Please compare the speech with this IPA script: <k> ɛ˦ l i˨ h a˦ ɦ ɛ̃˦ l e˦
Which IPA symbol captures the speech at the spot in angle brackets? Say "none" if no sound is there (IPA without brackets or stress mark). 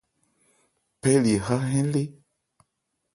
p